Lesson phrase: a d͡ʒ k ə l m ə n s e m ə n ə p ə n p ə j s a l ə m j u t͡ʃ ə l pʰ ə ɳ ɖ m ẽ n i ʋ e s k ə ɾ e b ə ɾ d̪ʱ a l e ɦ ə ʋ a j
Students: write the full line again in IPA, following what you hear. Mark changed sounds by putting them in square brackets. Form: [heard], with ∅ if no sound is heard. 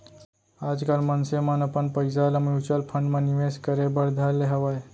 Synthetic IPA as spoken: a d͡ʒ k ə l m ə n s e m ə n ə p ə n p ə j s a l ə m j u t͡ʃ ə l pʰ ə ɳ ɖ m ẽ n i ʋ e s k ə ɾ e b ə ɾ d̪ʱ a l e ɦ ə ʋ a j